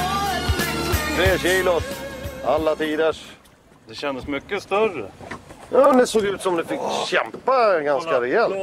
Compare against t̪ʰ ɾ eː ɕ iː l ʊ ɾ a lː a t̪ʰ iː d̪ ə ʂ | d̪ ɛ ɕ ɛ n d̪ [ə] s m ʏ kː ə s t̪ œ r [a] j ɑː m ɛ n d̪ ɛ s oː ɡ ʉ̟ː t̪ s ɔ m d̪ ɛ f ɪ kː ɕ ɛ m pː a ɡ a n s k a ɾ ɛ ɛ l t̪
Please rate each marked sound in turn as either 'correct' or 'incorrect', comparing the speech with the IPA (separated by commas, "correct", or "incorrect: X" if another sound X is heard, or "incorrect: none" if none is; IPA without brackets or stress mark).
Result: correct, incorrect: ə